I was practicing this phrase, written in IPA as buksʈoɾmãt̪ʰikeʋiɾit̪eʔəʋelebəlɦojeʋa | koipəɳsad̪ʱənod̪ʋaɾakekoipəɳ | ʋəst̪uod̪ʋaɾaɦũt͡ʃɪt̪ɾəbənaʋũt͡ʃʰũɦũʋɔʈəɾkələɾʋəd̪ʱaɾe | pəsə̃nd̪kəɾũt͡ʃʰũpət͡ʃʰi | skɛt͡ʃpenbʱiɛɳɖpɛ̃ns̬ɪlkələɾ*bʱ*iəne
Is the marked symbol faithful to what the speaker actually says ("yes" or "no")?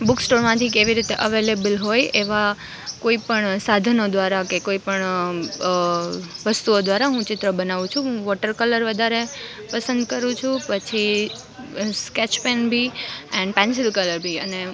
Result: yes